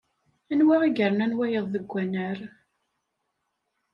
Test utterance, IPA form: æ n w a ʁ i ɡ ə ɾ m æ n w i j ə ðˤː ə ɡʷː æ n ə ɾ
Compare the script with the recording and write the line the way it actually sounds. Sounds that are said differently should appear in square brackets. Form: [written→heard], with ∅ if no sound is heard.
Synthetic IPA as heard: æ n w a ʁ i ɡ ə ɾ [m→n] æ n w [i→æ] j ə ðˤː ə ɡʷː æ n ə ɾ